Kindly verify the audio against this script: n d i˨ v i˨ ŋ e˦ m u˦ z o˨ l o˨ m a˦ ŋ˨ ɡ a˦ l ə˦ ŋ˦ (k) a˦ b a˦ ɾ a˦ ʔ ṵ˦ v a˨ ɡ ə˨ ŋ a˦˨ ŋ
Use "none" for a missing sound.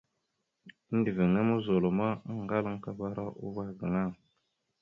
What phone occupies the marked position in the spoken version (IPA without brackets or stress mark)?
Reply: k